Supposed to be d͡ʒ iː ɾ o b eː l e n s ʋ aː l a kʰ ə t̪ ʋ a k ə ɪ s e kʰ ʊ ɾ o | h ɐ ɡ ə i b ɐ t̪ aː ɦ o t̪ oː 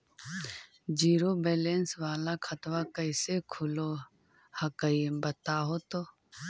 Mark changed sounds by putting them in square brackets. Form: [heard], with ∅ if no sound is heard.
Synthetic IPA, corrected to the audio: d͡ʒ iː ɾ o b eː l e n s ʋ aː l a kʰ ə t̪ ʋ a k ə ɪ s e kʰ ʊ [l] o | h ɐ [k] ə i b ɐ t̪ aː ɦ o t̪ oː